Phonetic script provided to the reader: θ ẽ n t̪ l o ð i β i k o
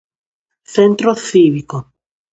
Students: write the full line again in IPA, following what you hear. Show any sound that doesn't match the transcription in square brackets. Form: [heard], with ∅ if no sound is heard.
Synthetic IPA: θ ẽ n t̪ [ɾ] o [θ] i β i k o